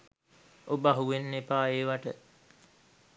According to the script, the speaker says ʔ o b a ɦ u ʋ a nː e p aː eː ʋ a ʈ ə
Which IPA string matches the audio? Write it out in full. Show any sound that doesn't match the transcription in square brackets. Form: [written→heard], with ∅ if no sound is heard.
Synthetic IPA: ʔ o b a ɦ u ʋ [a→e] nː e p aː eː ʋ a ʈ ə